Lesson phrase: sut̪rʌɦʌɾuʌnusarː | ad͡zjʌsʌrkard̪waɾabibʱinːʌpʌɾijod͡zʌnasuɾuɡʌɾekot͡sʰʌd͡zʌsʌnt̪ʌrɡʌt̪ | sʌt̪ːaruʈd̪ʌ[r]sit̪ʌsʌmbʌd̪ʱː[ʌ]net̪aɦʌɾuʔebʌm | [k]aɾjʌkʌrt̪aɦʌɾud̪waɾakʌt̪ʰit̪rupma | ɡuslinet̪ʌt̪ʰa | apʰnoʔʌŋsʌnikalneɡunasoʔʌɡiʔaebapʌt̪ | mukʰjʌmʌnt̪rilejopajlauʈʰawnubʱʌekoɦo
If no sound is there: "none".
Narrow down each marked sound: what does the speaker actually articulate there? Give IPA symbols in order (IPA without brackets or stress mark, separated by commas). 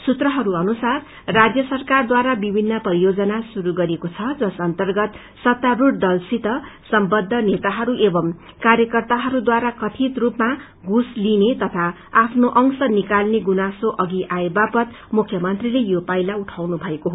l, ʌ, k